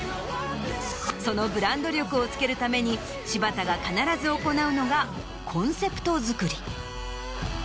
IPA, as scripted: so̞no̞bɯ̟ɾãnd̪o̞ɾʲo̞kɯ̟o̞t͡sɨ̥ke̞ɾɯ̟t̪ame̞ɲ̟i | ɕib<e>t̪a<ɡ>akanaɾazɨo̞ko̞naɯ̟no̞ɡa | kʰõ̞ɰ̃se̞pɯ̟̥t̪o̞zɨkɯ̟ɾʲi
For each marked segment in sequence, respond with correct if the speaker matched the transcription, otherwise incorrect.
incorrect, correct

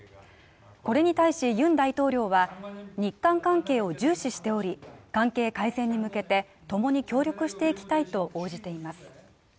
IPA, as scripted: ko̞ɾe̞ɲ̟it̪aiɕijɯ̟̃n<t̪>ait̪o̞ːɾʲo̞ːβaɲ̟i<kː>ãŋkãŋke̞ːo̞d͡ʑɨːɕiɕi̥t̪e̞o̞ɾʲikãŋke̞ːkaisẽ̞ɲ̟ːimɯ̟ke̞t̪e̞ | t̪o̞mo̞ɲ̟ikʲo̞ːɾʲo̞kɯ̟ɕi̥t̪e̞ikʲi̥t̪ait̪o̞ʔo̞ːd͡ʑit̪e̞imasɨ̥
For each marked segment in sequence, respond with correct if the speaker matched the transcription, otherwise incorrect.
incorrect, correct

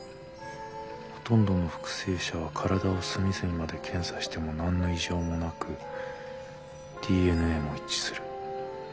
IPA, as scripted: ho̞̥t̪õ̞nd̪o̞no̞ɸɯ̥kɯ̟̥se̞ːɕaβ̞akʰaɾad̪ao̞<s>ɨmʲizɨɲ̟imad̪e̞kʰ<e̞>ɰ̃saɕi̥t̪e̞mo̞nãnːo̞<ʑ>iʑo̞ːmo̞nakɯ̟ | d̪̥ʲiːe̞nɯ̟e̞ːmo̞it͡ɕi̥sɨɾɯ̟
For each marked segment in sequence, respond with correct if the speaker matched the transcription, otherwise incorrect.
correct, incorrect, incorrect

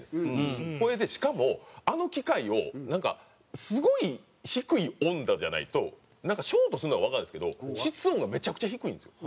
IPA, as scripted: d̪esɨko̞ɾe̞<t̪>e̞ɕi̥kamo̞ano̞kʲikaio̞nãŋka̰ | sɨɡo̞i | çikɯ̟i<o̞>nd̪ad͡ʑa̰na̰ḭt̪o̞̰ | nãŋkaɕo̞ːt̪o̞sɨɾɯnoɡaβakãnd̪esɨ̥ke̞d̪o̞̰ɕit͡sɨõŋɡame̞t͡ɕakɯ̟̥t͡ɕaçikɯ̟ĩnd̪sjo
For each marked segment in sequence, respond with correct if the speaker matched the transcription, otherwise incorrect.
incorrect, incorrect

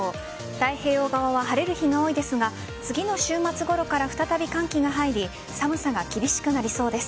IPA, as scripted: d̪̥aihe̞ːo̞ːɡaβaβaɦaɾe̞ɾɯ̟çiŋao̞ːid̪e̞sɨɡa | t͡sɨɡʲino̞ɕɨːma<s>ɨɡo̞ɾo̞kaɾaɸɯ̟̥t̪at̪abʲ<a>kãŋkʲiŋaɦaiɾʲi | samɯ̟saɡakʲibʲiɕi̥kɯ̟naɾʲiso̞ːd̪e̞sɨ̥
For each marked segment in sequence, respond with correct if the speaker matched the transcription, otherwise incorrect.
incorrect, incorrect

